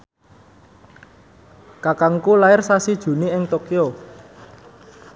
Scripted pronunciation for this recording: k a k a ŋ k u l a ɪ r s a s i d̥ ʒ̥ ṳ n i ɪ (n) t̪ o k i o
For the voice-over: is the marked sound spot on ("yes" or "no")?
no